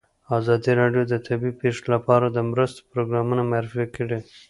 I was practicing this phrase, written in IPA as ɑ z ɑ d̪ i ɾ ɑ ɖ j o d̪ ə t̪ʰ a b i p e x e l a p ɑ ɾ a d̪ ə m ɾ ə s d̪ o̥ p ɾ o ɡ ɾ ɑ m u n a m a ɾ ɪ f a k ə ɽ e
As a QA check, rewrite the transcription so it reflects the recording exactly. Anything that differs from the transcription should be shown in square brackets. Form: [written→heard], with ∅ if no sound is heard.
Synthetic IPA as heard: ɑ z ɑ d̪ i ɾ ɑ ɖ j o d̪ ə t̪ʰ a b i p e [x→ʂ] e l a p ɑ ɾ a d̪ ə m ɾ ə s [d̪→t̪] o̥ p ɾ o ɡ ɾ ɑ m u n a m a ɾ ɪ f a k ə ɽ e